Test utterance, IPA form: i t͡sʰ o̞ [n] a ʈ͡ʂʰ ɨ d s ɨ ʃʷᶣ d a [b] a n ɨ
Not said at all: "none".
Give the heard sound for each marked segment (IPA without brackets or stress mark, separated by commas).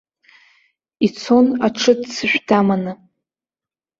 n, m